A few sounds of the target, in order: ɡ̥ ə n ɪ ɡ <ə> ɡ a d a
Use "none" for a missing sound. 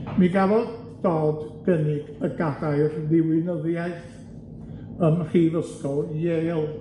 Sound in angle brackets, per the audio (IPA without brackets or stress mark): ə